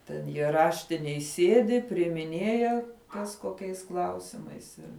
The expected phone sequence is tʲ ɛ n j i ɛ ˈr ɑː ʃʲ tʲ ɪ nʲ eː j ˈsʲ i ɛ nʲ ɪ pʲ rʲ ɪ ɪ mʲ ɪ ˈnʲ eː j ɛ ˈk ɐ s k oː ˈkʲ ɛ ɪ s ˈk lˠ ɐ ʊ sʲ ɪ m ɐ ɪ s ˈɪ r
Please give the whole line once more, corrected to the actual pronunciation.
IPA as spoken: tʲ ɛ n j i ɛ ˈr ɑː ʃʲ tʲ ɪ nʲ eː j ˈsʲ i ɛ dʲ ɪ pʲ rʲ ɪ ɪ mʲ ɪ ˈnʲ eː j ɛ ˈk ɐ s k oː ˈkʲ ɛ ɪ s ˈk lˠ ɐ ʊ sʲ ɪ m ɐ ɪ s ˈɪ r